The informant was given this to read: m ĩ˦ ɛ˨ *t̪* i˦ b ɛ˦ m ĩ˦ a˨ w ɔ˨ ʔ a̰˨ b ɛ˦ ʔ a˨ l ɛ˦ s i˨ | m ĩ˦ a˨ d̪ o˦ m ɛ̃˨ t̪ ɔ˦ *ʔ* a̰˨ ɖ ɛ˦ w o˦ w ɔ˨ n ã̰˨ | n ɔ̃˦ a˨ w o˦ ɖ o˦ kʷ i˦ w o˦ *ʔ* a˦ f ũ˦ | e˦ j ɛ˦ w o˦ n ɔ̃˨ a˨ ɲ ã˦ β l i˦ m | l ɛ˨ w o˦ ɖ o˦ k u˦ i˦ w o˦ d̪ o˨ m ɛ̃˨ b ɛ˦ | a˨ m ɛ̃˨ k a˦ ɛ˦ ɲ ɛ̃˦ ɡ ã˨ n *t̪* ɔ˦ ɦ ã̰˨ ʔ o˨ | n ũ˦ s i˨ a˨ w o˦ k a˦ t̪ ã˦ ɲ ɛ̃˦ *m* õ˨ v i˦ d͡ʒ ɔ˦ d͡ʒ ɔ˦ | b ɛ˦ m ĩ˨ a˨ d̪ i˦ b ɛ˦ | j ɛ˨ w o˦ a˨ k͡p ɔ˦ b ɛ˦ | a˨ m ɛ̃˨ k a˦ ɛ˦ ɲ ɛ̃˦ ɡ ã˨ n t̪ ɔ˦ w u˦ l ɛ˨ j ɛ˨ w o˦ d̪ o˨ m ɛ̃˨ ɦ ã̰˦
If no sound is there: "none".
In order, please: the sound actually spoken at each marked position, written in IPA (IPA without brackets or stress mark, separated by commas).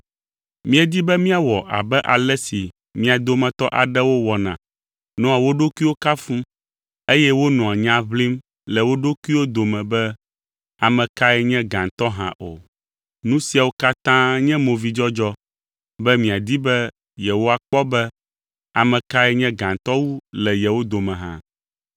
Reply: d̪, ʔ, k, t̪, m